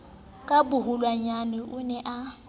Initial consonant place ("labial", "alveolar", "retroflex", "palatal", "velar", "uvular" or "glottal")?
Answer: velar